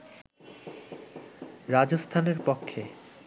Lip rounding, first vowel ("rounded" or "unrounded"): unrounded